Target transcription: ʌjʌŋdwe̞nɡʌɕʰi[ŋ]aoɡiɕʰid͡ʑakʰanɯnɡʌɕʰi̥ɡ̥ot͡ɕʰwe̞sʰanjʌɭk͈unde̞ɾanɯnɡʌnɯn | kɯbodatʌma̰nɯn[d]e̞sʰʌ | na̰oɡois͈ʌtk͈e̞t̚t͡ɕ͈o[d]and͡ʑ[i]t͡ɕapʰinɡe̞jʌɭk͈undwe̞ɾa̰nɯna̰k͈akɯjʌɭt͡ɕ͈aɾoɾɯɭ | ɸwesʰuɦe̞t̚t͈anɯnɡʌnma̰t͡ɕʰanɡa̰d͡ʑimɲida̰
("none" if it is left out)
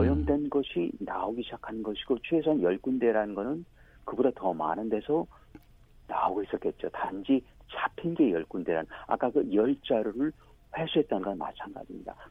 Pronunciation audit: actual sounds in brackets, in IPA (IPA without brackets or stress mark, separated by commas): n, d, t, i